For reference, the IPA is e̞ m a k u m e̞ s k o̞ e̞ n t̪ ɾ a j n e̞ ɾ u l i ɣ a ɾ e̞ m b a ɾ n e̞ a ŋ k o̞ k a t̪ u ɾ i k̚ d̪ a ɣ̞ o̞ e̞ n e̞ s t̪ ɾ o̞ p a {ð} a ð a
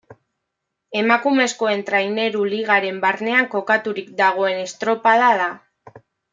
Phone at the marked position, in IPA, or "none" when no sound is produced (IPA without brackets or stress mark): ð